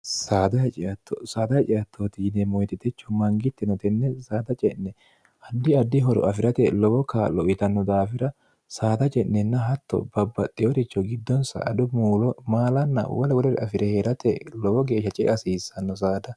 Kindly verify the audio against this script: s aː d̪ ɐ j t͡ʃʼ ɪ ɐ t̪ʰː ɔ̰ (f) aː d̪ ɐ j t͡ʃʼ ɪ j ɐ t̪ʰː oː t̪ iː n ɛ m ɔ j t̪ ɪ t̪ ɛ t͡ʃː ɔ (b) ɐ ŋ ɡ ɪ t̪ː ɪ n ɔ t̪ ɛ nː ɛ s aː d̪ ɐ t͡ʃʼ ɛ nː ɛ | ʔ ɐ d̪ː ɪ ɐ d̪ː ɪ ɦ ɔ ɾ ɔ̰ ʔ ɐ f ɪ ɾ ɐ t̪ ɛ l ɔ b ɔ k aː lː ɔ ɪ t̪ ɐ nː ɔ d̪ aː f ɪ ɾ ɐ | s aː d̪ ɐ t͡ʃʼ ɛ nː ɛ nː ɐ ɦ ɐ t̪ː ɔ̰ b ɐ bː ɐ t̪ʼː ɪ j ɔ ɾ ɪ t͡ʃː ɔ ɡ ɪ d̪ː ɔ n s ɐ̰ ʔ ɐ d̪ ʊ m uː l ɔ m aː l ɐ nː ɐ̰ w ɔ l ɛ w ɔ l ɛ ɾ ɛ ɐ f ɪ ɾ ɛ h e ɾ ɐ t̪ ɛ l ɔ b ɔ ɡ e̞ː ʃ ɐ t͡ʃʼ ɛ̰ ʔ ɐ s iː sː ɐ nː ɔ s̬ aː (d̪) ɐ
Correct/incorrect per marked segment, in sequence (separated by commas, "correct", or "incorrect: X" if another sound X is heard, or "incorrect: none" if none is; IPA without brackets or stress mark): incorrect: s, incorrect: m, correct